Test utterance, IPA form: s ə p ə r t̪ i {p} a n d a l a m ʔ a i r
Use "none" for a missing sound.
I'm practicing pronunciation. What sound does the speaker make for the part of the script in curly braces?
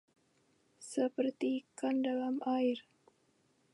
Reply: k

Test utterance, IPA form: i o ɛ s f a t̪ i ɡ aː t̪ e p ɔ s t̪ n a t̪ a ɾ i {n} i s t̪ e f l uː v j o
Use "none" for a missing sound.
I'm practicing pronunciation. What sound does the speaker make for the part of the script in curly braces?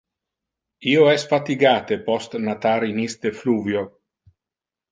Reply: n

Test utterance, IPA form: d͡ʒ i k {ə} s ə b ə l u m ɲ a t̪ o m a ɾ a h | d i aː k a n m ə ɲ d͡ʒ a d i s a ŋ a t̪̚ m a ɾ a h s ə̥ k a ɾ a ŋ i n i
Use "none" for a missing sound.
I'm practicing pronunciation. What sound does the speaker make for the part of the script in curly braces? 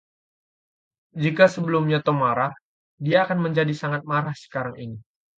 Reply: a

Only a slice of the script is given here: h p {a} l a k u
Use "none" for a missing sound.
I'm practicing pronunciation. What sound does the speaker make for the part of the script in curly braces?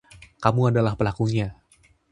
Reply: ə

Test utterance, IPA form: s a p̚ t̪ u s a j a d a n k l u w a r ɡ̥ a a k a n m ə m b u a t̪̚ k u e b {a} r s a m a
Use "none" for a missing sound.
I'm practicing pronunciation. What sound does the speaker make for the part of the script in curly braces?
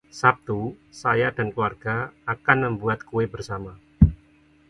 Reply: ə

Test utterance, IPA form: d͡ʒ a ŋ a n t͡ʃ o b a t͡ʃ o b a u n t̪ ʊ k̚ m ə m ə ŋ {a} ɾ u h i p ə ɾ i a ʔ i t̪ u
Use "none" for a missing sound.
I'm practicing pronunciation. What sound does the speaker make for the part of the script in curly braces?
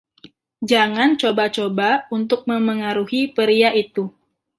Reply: a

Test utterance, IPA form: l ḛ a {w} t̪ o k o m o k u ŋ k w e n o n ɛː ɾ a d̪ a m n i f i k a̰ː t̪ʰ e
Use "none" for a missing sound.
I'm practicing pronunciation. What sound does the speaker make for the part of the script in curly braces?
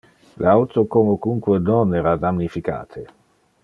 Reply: w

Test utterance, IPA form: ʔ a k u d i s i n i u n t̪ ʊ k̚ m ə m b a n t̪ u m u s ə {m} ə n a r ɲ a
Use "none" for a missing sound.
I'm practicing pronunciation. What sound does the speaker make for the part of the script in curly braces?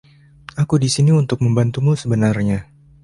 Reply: b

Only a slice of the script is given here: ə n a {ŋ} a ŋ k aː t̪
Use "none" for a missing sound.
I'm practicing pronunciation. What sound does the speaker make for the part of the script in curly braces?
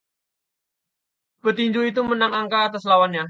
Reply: ŋ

